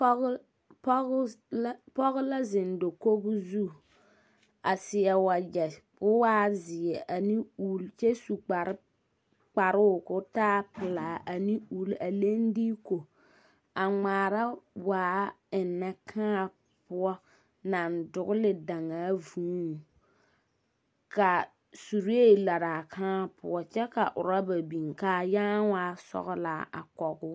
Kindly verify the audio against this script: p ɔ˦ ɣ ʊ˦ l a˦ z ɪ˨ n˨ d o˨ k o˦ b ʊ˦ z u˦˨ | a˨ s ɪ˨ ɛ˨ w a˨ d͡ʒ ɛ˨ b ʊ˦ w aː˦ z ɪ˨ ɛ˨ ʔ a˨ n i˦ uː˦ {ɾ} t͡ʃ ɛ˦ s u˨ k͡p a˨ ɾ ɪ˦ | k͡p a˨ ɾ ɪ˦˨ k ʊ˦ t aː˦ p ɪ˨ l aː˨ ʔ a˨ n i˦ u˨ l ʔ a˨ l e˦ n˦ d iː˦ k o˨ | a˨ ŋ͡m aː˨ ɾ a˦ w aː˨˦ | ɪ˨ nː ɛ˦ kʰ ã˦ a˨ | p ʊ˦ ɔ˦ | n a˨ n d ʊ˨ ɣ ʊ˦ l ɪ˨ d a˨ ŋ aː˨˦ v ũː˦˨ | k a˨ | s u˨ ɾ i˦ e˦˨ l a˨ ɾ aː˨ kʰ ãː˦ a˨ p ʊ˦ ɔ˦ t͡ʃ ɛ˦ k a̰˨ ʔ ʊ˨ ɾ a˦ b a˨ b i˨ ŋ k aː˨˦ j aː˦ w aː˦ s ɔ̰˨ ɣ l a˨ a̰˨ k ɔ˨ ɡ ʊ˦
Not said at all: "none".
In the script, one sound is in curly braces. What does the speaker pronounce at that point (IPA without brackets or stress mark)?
l